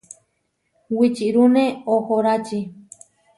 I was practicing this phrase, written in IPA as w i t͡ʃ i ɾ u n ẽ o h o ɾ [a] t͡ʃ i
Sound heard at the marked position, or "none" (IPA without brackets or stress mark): a